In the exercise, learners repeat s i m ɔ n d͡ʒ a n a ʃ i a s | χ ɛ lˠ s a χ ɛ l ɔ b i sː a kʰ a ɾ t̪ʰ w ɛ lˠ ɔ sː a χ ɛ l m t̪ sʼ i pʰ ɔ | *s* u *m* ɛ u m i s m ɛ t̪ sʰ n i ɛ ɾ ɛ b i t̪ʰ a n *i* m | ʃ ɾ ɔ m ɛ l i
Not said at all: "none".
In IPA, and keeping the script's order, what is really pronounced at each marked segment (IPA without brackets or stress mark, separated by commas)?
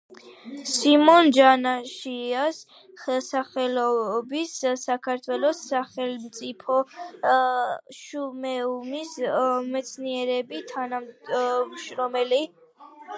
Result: ʃ, m, a